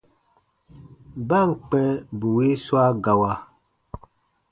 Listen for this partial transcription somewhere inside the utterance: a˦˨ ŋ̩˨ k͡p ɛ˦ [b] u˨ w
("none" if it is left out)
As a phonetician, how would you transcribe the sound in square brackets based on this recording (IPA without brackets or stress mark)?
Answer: b